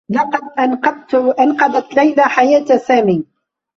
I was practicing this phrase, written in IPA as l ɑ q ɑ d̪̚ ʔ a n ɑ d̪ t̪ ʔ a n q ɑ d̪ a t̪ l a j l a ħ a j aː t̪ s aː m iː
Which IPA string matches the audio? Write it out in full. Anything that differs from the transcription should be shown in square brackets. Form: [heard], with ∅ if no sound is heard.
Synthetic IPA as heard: l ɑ q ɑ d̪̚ ʔ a n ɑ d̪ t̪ ʔ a n q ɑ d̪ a t̪ l a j l a ħ a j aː t̪ s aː m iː